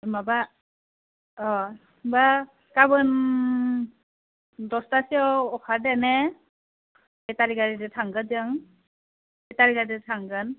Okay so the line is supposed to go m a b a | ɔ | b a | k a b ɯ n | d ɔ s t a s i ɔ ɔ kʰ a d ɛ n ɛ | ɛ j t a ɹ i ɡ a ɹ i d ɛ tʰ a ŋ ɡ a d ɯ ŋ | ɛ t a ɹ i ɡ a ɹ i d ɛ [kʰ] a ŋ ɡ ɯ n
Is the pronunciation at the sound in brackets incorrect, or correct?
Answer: incorrect